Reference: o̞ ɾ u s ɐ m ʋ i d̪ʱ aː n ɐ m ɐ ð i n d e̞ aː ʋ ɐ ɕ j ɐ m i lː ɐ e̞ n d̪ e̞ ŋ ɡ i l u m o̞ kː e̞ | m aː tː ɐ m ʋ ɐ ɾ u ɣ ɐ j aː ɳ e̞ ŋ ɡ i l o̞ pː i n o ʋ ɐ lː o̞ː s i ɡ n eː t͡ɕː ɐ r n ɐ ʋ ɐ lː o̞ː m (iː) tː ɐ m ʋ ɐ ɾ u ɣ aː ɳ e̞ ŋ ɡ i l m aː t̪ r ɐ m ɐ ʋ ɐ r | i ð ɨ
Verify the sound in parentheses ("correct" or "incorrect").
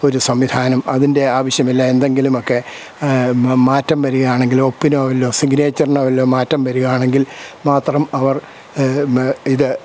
incorrect